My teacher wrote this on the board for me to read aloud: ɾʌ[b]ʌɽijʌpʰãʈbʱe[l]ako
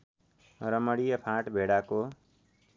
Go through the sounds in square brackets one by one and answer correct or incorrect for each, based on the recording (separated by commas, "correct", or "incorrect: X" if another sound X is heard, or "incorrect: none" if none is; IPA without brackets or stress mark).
incorrect: m, incorrect: ɽ